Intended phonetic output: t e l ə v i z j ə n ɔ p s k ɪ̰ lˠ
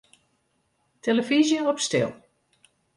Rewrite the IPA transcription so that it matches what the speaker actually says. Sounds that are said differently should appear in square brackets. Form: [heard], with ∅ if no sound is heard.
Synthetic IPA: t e l ə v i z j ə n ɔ p s [t] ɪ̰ lˠ